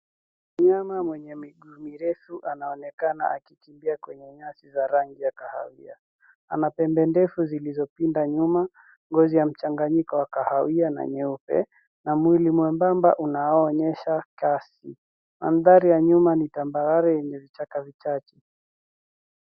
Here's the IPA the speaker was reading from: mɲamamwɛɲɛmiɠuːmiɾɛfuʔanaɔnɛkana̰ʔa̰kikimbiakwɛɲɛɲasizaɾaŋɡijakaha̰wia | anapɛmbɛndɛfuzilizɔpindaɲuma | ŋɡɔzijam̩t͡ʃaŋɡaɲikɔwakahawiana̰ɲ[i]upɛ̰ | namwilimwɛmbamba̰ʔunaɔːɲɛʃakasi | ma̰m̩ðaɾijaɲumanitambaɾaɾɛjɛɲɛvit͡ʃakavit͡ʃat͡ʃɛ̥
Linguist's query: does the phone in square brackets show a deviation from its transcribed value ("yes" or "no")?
yes